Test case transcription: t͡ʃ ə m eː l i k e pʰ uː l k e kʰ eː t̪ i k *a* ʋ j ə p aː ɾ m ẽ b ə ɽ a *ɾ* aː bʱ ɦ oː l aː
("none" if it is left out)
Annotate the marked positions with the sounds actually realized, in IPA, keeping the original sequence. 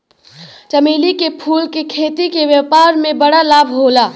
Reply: e, l

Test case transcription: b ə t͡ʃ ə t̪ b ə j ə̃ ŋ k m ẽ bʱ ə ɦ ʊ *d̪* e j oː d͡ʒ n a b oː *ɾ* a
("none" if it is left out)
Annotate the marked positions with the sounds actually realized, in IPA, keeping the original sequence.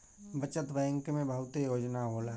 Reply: t̪, l

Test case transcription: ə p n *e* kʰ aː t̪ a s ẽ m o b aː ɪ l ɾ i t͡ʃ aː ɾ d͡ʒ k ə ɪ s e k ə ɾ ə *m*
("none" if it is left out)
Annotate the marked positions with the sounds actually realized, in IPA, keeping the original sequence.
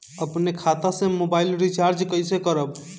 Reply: e, b

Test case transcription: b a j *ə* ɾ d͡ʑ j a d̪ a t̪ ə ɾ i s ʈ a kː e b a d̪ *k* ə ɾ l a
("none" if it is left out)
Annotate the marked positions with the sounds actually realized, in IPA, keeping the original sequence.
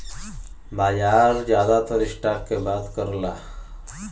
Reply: a, k

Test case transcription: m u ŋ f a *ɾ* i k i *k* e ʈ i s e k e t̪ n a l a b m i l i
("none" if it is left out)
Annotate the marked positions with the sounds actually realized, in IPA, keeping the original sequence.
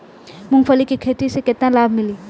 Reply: l, kʰ

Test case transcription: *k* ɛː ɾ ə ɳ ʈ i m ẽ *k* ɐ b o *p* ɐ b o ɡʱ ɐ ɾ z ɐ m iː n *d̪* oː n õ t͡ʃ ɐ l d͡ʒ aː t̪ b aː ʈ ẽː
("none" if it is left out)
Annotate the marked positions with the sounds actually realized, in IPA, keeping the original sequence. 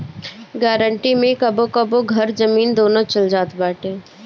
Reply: ɡ, k, k, d̪

